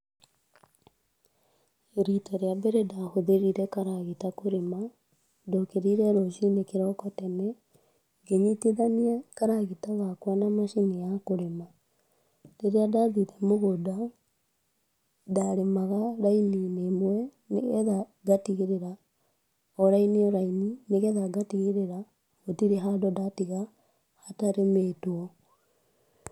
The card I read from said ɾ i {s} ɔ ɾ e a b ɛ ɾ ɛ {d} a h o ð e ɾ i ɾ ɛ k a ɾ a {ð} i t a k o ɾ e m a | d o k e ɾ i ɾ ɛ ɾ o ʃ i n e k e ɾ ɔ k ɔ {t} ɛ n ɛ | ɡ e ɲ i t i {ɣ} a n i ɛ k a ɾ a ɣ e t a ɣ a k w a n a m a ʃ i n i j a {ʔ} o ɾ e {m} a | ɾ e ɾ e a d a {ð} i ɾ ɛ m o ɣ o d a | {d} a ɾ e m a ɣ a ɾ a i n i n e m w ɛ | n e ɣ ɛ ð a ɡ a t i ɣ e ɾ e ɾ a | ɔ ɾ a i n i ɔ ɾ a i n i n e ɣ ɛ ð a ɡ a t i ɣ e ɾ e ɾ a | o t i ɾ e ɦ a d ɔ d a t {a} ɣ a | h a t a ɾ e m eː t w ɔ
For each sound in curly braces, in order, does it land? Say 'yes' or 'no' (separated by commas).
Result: no, yes, no, yes, no, no, yes, yes, yes, no